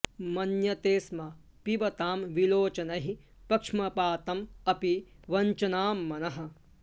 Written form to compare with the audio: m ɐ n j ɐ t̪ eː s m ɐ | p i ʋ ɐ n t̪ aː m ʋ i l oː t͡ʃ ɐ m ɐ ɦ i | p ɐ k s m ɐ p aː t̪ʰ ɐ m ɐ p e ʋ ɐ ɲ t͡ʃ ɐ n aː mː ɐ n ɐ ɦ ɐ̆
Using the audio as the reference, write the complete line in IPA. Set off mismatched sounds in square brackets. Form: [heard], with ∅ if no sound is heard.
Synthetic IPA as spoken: m ɐ n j ɐ t̪ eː s m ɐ | p i ʋ ɐ [∅] t̪ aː m ʋ i l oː t͡ʃ ɐ [n] ɐ ɦ i | p ɐ k [ʂ] m ɐ p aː [t̪] ɐ m ɐ p [i] ʋ ɐ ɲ t͡ʃ ɐ n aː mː ɐ n ɐ ɦ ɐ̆